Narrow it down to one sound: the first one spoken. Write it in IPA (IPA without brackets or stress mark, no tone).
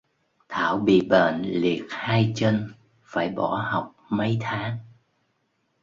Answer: t̪ʰ